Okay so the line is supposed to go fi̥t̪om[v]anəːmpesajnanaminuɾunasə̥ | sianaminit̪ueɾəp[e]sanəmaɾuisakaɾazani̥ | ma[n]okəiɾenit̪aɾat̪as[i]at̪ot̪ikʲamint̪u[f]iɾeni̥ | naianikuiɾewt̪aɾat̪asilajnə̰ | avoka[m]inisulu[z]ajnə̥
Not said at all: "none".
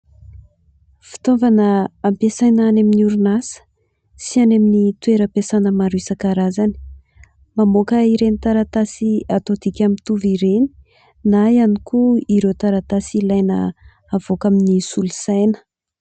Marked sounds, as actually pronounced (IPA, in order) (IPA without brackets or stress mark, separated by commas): v, e, m, i, v, m, s